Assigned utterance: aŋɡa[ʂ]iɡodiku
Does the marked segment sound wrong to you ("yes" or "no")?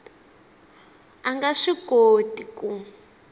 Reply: no